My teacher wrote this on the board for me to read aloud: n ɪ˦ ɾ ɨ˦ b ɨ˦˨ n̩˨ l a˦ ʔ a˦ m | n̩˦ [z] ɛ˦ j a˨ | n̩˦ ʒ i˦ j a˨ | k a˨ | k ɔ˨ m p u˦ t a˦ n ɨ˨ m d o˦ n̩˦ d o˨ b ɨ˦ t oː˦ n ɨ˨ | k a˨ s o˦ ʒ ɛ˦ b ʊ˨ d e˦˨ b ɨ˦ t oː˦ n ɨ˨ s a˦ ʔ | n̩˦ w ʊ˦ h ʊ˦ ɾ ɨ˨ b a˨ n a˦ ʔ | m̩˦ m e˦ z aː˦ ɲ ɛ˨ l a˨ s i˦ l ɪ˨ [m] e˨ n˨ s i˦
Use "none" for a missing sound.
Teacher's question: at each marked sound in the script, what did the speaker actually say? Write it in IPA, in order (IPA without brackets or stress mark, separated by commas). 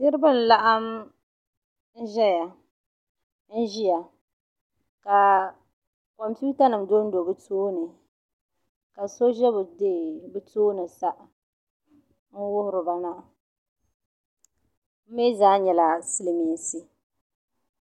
ʒ, m